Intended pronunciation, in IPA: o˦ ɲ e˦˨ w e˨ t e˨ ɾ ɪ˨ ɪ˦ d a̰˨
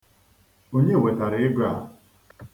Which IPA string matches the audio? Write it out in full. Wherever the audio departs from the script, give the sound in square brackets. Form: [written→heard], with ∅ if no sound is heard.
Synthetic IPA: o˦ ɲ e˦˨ w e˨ t [e˨→a˨] ɾ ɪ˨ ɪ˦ [d→ɡ] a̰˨